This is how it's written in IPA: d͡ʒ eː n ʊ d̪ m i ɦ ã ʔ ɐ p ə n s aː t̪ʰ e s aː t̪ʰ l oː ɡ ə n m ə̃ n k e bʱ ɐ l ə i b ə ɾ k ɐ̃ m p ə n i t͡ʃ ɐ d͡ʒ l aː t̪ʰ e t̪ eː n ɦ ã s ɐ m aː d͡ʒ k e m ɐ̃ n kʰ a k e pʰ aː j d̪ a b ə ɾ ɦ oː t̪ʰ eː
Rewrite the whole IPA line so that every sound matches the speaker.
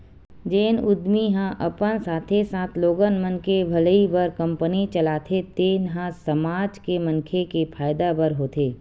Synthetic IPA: d͡ʒ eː n ʊ d̪ m i ɦ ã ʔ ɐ p ə n s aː t̪ʰ e s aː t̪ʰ l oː ɡ ə n m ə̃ n k e bʱ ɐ l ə i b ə ɾ k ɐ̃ m p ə n i t͡ʃ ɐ l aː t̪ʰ e t̪ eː n ɦ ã s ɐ m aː d͡ʒ k e m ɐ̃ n kʰ e k e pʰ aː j d̪ a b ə ɾ ɦ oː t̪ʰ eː